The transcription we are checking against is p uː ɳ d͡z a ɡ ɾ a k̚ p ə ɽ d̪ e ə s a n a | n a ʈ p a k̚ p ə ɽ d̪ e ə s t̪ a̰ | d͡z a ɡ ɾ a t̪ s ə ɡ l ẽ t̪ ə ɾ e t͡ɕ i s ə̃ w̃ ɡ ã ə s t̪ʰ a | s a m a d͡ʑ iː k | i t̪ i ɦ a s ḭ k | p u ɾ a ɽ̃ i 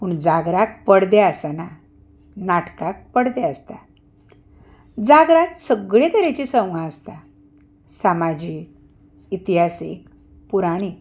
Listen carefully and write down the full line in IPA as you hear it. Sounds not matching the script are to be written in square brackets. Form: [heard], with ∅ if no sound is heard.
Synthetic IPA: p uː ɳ d͡z a ɡ ɾ a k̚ p ə ɽ d̪ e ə s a n a | n a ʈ [k] a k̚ p ə ɽ d̪ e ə s t̪ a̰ | d͡z a ɡ ɾ a t̪ s ə ɡ [ɭ] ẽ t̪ ə ɾ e t͡ɕ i s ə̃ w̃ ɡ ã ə s [t̪] a | s a m a d͡ʑ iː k | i t̪ i ɦ a s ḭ k | p u ɾ a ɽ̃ i

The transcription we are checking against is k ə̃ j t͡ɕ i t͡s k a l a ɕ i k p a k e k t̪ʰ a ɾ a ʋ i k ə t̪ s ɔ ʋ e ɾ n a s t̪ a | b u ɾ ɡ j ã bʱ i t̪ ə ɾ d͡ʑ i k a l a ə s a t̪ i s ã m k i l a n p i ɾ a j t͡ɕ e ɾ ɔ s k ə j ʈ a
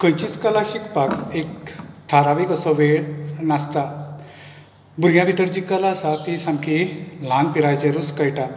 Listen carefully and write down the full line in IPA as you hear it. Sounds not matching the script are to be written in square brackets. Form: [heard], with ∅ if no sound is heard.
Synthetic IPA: k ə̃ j t͡ɕ i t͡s k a l a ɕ i k p a k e k t̪ʰ a ɾ a ʋ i k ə [∅] s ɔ ʋ e [ɭ] n a s t̪ a | b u ɾ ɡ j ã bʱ i t̪ ə ɾ d͡ʑ i k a l a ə s a t̪ i s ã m k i l a n p i ɾ a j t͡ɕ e ɾ [u] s k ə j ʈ a

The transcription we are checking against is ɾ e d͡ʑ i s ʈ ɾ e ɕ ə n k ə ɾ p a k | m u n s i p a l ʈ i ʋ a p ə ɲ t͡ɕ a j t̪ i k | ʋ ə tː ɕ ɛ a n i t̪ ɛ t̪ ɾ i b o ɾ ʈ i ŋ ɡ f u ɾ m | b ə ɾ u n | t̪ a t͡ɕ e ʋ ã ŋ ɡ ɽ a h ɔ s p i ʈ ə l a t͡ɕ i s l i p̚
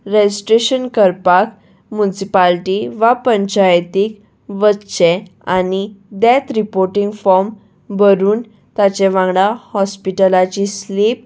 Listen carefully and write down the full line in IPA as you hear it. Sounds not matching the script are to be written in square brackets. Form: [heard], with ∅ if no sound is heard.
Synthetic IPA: ɾ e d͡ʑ i s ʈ ɾ e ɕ ə n k ə ɾ p a k | m u n s i p a l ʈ i ʋ a p ə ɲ t͡ɕ a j t̪ i k | ʋ ə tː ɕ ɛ a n i [d̪] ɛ t̪ ɾ i [p] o ɾ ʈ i ŋ ɡ f [ɔ] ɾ m | b ə ɾ [uː] n | t̪ a t͡ɕ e ʋ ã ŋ ɡ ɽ a h ɔ s p i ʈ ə l a t͡ɕ i s l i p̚

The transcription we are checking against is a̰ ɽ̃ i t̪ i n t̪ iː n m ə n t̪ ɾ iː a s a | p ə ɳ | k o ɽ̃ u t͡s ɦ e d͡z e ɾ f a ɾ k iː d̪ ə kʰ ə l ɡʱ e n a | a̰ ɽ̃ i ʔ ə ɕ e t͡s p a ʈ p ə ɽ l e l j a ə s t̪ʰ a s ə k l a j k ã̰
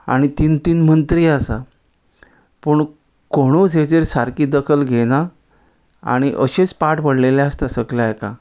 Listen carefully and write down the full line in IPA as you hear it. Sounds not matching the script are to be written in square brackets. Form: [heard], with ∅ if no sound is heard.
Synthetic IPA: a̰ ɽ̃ i t̪ i n t̪ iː n m ə n t̪ ɾ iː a s a | p ə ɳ | k o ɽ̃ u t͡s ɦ e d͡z e ɾ [s] a ɾ k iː d̪ ə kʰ ə l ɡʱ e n a | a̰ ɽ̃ i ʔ ə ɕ e t͡s p a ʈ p ə ɽ l e l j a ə s [t̪] a s ə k l a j k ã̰

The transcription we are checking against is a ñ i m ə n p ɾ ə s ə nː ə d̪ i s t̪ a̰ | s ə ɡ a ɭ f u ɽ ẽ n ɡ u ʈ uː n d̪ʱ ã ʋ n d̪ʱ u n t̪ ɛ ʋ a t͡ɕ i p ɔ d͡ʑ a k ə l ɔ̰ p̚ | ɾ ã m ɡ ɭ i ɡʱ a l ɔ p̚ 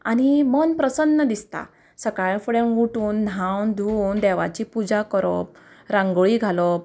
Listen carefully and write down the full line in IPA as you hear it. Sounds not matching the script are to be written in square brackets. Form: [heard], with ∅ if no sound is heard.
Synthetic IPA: a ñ i m ə n p ɾ ə s ə nː ə d̪ i s t̪ a̰ | s ə [k] a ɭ f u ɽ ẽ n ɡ u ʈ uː n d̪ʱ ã [w] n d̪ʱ u n [d̪] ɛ ʋ a t͡ɕ i p [u] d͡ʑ a k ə [ɾ] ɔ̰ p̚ | ɾ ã [ŋ] ɡ ɭ i ɡʱ a l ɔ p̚

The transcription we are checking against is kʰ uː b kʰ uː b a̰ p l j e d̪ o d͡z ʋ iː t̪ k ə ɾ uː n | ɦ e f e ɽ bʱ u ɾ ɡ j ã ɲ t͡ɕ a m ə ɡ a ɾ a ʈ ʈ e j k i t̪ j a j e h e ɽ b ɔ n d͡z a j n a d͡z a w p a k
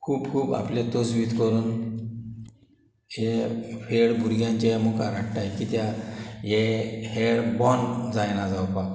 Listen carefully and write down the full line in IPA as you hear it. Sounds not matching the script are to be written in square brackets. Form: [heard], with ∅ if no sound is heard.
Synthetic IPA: kʰ uː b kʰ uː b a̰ p l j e [t̪] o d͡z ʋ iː t̪ k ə ɾ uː n | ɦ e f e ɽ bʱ u ɾ ɡ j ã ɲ t͡ɕ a m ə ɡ a ɾ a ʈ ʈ [a] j k i t̪ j a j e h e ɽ b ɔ n d͡z a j n a d͡z a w p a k

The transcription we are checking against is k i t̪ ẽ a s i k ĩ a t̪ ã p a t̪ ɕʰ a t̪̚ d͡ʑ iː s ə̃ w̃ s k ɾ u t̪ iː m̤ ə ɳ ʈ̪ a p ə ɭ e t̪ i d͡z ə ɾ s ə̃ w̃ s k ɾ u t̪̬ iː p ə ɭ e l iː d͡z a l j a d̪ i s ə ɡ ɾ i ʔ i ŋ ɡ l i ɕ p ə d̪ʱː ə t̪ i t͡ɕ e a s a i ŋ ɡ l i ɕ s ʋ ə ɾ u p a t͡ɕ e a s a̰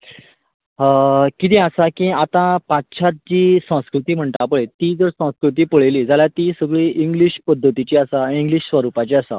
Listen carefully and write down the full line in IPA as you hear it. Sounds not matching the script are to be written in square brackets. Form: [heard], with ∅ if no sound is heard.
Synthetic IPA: k i t̪ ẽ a s [a] k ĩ a t̪ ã p a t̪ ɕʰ a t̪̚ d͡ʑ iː s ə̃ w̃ s k ɾ u t̪ iː m̤ ə ɳ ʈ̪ a p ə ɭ e t̪ i d͡z ə ɾ s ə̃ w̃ s k ɾ u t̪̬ iː p ə ɭ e l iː d͡z a l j a [t̪] i s ə ɡ [ɭ] i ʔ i ŋ ɡ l i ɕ p ə d̪ʱː ə t̪ i t͡ɕ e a s a i ŋ ɡ l i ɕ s ʋ ə ɾ u p a t͡ɕ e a s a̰

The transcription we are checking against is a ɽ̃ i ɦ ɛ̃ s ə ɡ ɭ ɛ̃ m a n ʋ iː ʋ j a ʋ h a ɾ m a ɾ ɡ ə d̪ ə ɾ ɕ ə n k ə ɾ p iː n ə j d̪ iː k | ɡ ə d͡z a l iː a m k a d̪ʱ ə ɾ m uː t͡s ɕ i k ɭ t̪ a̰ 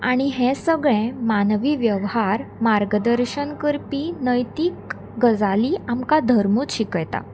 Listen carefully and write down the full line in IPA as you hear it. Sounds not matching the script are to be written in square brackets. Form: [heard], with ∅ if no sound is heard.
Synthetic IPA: a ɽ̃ i ɦ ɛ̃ s ə ɡ ɭ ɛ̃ m a n ʋ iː ʋ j [ə] ʋ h a ɾ m a ɾ ɡ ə d̪ ə ɾ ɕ ə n k ə ɾ p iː n ə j [t̪] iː k | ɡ ə d͡z a l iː a m k a d̪ʱ ə ɾ m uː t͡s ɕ i k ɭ t̪ a̰

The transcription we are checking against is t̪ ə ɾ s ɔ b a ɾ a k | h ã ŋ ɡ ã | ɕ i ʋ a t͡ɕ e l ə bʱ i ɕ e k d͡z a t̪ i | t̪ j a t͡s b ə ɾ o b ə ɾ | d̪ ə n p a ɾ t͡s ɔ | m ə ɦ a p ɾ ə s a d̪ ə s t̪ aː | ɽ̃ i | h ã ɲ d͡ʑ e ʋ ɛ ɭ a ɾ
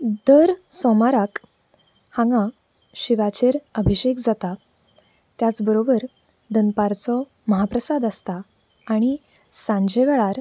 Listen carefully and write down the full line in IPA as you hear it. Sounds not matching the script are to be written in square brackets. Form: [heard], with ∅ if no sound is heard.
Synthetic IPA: [d̪] ə ɾ s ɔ [m] a ɾ a k | h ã ŋ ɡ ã | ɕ i ʋ a t͡ɕ e [ɾ] ə bʱ i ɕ e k d͡z a t̪ [a] | t̪ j a t͡s b ə ɾ o b ə ɾ | d̪ ə n p a ɾ t͡s ɔ | m ə ɦ a p ɾ ə s a d̪ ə s t̪ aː | ɽ̃ i | [s] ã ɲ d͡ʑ e ʋ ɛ ɭ a ɾ

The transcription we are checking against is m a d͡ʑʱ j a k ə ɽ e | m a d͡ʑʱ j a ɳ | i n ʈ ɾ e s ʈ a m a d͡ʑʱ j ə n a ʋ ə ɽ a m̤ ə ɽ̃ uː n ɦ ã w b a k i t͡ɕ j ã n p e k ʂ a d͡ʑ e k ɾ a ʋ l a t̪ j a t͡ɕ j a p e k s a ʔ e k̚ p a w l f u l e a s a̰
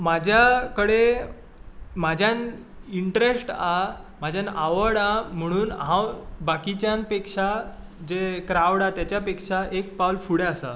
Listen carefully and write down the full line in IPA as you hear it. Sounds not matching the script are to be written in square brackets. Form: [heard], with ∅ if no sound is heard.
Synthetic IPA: m a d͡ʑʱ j a k ə ɽ e | m a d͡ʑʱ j a [n] | i [ɳ] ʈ ɾ e s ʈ a m a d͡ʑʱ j [a] n a ʋ ə ɽ a m̤ ə ɽ̃ uː n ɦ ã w b a k i t͡ɕ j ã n p e k ʂ a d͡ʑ e k ɾ a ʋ [ɽ] a t̪ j a t͡ɕ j a p e k [ʂ] a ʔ e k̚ p a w l f u [ɽ] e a s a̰

